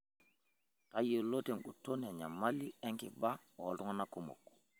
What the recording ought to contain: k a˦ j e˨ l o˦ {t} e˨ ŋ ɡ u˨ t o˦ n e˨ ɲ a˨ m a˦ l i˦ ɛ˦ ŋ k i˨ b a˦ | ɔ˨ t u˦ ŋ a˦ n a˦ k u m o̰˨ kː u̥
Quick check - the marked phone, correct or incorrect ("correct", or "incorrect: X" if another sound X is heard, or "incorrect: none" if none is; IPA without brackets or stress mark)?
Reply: correct